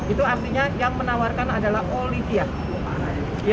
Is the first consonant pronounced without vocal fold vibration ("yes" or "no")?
yes